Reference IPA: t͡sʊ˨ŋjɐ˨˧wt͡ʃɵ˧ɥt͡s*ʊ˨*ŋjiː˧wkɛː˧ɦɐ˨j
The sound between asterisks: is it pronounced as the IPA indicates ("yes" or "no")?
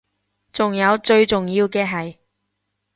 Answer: yes